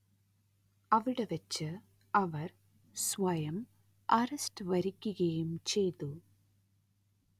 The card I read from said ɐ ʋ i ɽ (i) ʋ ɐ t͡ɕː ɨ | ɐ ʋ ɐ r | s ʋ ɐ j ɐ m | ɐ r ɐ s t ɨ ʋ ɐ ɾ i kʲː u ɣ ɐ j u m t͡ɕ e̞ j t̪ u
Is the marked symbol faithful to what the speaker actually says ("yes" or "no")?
no